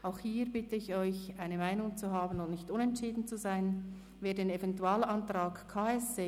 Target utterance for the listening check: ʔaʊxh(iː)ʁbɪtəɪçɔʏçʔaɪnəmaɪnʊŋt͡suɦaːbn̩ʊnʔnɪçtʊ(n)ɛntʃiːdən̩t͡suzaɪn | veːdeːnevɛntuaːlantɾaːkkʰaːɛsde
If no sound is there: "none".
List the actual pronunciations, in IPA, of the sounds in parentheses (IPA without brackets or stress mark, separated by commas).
iː, n